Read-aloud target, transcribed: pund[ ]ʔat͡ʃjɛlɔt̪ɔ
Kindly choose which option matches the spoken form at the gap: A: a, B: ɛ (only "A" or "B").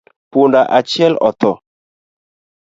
A